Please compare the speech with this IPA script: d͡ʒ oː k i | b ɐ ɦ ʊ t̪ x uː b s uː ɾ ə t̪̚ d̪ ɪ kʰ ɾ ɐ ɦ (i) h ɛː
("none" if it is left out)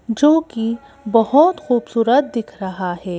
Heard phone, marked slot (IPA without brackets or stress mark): a